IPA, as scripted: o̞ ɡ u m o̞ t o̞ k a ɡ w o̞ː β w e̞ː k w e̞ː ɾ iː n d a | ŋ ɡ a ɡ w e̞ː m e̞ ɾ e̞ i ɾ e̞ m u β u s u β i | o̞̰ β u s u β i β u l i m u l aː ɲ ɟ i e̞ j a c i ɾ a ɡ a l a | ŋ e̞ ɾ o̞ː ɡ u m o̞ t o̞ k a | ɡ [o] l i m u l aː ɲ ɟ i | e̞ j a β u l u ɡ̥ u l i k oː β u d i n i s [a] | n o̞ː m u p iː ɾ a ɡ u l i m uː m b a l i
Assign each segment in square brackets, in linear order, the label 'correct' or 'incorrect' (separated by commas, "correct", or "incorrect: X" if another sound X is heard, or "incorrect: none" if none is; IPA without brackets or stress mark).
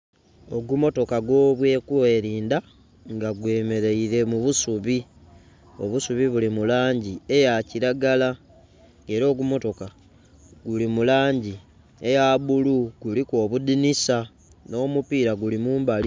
incorrect: u, correct